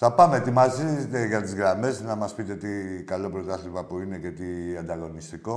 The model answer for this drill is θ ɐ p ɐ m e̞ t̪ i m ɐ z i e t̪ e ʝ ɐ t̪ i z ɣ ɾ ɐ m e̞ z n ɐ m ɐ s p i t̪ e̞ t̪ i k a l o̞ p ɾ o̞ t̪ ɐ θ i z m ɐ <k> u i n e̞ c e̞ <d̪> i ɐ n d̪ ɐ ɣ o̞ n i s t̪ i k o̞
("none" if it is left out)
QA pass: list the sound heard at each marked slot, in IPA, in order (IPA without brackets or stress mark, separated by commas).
p, t̪